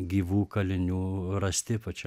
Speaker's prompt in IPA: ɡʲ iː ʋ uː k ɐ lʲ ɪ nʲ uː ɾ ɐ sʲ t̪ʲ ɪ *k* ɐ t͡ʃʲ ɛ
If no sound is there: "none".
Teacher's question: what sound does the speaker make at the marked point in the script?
p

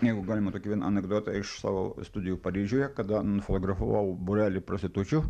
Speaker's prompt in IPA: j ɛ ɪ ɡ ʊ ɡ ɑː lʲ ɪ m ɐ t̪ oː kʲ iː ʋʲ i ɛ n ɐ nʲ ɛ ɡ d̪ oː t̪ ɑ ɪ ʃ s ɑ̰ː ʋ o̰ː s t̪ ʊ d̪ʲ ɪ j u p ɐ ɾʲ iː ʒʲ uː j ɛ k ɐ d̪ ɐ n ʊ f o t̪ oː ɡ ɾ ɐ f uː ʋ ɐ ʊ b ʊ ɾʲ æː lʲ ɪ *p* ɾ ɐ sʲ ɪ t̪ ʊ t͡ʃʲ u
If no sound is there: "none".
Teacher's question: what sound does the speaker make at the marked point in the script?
p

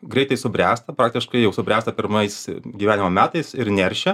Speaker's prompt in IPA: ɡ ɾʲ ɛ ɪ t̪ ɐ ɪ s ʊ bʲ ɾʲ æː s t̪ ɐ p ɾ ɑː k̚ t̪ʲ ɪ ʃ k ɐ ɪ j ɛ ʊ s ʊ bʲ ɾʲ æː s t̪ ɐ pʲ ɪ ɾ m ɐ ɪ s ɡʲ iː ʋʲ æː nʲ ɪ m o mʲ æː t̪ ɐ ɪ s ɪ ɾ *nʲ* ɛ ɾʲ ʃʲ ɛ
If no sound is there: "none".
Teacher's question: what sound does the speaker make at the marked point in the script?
nʲ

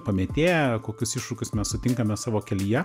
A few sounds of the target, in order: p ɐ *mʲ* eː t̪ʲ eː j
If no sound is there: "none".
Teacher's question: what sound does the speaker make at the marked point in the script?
mʲ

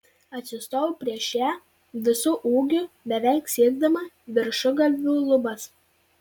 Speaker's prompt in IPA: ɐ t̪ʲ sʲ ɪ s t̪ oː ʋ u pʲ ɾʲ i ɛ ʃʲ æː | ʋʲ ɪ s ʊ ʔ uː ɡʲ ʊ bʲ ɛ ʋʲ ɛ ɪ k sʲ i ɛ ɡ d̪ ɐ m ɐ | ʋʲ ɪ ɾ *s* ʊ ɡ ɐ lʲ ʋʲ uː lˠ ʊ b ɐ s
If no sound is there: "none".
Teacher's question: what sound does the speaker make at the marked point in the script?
ʃ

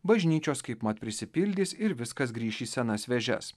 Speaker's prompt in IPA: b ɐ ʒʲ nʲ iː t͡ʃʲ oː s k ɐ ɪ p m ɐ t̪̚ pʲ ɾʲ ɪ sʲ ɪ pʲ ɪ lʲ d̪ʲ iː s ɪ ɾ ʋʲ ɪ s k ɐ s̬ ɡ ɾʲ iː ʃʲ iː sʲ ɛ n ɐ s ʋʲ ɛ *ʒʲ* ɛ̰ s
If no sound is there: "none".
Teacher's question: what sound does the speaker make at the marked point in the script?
ʒʲ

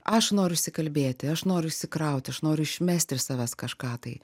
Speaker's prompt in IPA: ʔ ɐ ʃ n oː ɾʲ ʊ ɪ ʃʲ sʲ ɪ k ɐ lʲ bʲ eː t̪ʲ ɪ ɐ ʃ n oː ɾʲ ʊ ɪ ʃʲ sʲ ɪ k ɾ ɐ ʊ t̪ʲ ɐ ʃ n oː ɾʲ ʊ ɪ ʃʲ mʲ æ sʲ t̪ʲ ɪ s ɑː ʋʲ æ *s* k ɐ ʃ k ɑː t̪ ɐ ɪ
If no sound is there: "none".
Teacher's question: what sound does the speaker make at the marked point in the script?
s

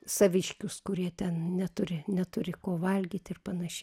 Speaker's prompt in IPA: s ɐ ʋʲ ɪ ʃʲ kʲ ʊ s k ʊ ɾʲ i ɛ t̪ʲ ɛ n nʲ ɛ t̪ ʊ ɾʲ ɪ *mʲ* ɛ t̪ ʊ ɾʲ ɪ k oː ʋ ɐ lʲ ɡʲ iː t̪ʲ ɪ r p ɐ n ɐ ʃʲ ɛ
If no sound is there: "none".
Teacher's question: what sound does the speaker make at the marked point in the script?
nʲ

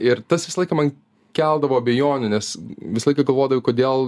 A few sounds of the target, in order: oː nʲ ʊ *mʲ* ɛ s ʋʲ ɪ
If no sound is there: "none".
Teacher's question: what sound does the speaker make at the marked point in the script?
nʲ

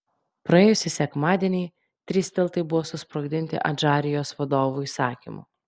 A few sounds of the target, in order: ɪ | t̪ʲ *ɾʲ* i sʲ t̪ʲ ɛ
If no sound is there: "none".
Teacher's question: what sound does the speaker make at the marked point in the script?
ɾʲ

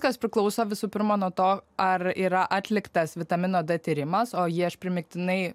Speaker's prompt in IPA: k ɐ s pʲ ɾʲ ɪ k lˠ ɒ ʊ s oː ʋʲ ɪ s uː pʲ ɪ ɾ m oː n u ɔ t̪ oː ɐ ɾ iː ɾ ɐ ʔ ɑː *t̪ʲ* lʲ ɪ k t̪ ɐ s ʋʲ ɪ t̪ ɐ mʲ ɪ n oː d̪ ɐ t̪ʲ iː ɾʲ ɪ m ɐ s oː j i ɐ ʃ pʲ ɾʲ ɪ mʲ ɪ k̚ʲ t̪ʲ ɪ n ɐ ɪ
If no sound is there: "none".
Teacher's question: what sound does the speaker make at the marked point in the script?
t̪ʲ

